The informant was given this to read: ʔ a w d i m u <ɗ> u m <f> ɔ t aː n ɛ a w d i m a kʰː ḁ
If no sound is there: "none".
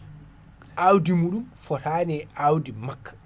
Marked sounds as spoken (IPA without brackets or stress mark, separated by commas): ɗ, f